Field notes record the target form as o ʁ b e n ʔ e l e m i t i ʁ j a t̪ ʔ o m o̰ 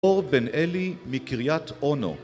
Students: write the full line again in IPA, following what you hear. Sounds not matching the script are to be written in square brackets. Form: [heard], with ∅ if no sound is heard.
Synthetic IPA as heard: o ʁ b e n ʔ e l [i] m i [k] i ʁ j a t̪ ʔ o [n] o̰

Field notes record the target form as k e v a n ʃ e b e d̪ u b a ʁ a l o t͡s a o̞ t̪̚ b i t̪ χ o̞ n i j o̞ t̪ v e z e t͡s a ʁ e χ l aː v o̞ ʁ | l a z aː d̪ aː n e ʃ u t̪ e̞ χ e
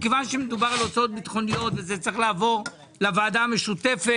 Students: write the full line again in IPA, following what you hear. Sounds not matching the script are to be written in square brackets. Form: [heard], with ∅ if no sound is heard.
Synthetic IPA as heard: k e v a n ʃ e [m] e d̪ u b a ʁ a l o t͡s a o̞ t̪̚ b i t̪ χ o̞ n i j o̞ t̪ v e z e t͡s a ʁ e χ l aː v o̞ ʁ | l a [v] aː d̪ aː [m] e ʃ u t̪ e̞ [f] e

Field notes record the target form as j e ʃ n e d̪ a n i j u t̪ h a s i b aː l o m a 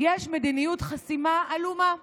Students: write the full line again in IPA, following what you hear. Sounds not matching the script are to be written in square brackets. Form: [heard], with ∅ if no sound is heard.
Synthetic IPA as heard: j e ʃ [m] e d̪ [i] n i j u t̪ [χ] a s i [m] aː l [u] m a

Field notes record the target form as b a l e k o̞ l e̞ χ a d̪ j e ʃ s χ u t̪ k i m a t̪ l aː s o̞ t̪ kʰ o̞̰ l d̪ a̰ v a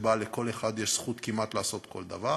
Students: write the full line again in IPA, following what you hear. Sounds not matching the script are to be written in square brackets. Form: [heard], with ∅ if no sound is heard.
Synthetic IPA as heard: b a l e k o̞ l e̞ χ a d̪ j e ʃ s χ u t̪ k i m a t̪ l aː s o̞ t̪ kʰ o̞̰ l d̪ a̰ v a

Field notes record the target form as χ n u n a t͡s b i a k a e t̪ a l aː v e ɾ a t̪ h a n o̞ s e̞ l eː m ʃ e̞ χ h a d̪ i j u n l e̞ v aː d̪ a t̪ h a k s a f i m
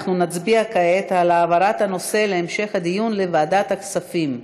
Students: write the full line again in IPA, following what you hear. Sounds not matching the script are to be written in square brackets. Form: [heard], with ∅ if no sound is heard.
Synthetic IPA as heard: χ n u n a t͡s b i a k a e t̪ a l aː v [a] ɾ a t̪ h a n o̞ s e̞ l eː m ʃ e̞ χ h a d̪ i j u n l e̞ v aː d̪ a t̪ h a k s a f i m

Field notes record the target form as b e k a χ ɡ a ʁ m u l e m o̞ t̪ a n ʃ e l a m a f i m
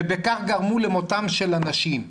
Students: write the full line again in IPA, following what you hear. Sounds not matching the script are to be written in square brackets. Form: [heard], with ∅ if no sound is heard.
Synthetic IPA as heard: b e k a χ ɡ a ʁ m u l e m o̞ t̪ a [m] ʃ e l a [n] a [ʃ] i m

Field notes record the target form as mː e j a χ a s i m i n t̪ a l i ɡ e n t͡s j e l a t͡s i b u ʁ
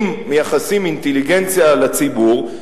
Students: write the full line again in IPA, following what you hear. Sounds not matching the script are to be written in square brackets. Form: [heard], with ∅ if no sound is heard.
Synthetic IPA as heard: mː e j a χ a s i m i n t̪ [e] l i ɡ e n t͡s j [a] l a t͡s i b u ʁ

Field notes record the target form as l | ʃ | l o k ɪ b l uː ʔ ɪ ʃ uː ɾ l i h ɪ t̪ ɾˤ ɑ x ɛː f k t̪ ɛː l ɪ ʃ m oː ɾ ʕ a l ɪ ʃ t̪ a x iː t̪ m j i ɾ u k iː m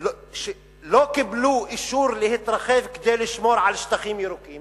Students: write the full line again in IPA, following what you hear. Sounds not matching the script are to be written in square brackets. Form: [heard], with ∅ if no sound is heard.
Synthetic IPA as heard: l | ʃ | l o k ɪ b l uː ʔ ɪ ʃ uː ɾ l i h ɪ t̪ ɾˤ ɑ x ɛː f k [d̪] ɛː l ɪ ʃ m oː ɾ ʕ a l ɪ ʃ t̪ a x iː [∅] m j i ɾ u k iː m

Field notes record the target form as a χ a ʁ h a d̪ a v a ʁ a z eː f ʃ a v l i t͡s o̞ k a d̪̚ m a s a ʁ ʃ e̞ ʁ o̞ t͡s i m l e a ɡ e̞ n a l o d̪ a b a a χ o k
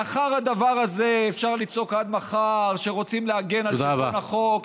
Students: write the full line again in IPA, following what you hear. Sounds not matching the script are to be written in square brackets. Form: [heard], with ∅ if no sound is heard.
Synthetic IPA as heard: a χ a ʁ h a d̪ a v a ʁ a z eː f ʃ a [ʁ] l i t͡s o̞ k a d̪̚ m a [χ] a ʁ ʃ e̞ ʁ o̞ t͡s i m l e a ɡ e̞ n a l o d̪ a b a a χ o k

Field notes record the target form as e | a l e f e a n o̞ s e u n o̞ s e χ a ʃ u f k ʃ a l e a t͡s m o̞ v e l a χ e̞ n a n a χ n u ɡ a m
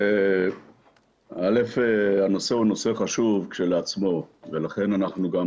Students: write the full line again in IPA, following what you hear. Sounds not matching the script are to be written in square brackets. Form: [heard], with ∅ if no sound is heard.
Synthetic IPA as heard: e | a l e f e a n o̞ s e u n o̞ s e χ a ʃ u [v] k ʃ [e] l e a t͡s m o̞ v e l a χ e̞ n a n a χ n u ɡ a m

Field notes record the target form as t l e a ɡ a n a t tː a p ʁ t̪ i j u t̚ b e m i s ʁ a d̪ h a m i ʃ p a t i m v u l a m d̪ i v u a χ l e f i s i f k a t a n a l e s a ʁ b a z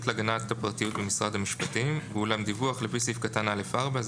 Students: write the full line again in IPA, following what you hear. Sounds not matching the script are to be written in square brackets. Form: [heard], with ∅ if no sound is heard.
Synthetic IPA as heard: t l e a ɡ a n a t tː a p ʁ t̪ i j u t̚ b e m i s ʁ a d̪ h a m i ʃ p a t i m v u l a m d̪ i v u a χ l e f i s i f k a t a n a l e [f] a ʁ b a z

